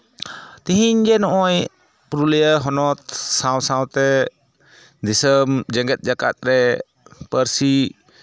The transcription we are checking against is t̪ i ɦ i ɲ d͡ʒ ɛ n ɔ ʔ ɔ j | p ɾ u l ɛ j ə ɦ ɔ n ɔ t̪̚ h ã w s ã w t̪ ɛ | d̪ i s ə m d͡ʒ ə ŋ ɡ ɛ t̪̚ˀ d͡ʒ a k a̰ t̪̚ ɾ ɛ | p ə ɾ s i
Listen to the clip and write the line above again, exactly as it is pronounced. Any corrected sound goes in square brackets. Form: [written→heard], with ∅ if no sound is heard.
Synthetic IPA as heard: t̪ i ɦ i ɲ d͡ʒ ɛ n ɔ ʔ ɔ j | p ɾ u l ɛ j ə ɦ ɔ n ɔ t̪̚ [h→s] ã w s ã w t̪ ɛ | d̪ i s ə m d͡ʒ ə ŋ ɡ ɛ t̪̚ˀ d͡ʒ a k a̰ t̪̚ ɾ ɛ | p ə ɾ s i